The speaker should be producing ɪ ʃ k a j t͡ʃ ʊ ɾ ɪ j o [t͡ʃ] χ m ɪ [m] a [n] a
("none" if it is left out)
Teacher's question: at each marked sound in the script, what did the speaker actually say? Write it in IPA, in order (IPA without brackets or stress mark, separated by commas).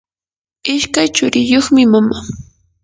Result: none, m, m